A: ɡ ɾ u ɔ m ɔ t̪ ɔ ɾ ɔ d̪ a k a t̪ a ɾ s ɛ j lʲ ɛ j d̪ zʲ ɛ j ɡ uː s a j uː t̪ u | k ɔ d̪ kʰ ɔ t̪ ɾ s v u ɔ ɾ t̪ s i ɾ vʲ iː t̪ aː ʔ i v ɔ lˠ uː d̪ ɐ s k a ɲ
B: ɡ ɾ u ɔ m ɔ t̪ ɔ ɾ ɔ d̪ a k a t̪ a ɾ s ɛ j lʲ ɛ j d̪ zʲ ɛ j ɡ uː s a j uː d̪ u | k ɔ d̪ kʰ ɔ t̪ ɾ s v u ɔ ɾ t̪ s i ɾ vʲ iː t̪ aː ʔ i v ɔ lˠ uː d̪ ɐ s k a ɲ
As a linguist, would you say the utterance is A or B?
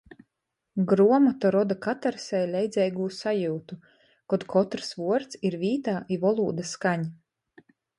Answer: A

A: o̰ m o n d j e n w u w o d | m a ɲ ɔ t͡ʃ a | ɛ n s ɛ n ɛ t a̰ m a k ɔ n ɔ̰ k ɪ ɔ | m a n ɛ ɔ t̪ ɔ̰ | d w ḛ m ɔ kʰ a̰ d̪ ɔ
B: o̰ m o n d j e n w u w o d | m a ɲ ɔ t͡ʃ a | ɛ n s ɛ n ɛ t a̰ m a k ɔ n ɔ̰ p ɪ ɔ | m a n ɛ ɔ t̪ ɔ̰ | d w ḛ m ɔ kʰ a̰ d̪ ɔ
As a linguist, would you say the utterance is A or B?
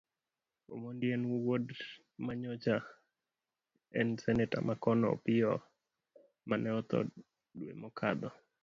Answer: B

